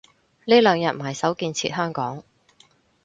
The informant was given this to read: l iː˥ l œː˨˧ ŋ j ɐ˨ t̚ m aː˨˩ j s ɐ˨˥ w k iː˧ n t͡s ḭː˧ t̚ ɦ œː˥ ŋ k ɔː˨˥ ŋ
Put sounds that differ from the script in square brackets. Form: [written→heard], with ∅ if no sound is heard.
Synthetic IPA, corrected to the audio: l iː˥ l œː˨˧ ŋ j ɐ˨ t̚ m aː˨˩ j s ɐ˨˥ w k iː˧ n [t͡s→t͡sʰ] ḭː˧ t̚ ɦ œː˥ ŋ k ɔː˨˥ ŋ